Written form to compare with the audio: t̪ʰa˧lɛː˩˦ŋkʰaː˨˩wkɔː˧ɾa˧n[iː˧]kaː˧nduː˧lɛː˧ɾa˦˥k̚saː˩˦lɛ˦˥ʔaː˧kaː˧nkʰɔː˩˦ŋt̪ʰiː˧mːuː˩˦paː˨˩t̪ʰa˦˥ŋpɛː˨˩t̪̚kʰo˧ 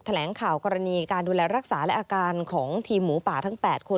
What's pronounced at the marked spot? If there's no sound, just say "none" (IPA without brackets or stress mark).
iː˧